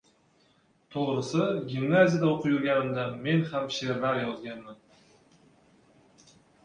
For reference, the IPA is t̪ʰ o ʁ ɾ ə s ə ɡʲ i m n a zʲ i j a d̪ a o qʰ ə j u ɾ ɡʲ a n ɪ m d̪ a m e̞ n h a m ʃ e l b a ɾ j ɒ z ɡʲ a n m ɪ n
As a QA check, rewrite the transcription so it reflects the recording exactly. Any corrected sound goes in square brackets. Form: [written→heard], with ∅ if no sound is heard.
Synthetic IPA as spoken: t̪ʰ o ʁ ɾ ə s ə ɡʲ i m n a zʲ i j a d̪ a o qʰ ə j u ɾ ɡʲ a n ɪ m d̪ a m e̞ n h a m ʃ e [l→ɾ] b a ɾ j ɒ z ɡʲ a n m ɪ n